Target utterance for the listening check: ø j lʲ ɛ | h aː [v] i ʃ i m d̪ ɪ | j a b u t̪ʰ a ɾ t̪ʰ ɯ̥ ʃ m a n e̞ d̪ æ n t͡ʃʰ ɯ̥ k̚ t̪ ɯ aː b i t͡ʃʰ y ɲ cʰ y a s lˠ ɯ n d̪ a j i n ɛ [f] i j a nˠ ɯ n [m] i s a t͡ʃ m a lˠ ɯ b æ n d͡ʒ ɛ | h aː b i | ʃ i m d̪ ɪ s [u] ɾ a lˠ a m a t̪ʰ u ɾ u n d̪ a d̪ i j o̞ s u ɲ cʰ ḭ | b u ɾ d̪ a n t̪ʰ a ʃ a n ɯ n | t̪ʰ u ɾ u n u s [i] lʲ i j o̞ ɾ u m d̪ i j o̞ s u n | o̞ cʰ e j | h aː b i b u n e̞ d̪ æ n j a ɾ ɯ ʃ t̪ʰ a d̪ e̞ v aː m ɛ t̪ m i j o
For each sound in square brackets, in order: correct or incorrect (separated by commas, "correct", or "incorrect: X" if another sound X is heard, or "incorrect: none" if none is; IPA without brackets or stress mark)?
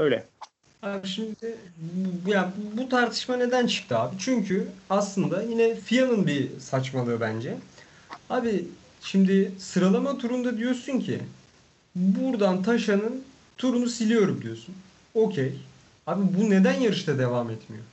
incorrect: b, correct, incorrect: b, incorrect: ɯ, correct